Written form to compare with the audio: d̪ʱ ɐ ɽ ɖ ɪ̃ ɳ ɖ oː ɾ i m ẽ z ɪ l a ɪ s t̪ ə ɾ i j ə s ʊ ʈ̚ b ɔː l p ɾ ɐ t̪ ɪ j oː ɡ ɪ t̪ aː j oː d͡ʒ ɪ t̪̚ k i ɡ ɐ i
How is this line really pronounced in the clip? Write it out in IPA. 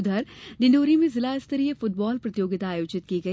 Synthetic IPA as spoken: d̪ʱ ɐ ɾ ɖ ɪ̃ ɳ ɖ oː ɾ i m ẽ z ɪ l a ɪ s t̪ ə ɾ i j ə f ʊ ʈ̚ b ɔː l p ɾ ɐ t̪ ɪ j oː ɡ ɪ t̪ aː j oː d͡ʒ ɪ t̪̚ k i ɡ ɐ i